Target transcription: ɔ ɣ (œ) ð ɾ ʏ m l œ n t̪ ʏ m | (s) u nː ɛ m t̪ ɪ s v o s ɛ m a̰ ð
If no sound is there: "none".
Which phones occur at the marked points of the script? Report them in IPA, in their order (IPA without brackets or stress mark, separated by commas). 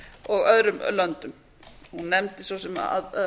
œ, h